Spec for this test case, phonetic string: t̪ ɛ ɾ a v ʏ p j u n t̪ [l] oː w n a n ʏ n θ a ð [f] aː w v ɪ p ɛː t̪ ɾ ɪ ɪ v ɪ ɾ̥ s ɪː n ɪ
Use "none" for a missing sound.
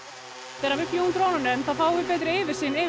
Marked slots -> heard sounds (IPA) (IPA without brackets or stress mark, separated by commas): ɾ, f